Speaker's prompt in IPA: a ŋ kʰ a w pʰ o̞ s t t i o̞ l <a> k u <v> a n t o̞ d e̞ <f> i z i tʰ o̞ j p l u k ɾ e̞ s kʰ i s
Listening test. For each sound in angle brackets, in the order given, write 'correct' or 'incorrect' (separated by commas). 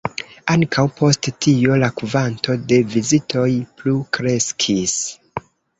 correct, correct, incorrect